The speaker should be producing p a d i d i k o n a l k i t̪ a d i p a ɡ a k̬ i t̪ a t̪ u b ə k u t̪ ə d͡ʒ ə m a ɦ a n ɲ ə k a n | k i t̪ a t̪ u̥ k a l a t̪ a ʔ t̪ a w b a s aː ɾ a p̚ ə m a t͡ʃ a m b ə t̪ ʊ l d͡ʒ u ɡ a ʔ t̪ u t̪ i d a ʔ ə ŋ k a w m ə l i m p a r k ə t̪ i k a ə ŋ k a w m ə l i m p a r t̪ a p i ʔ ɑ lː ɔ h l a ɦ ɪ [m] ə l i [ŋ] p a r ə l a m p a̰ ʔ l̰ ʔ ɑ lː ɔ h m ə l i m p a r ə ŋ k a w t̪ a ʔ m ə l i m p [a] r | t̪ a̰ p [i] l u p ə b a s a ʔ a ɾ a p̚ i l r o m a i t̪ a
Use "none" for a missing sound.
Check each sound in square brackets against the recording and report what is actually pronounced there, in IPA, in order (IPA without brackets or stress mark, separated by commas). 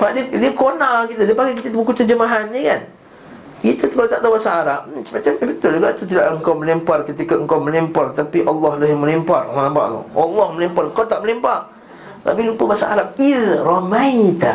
m, m, a, i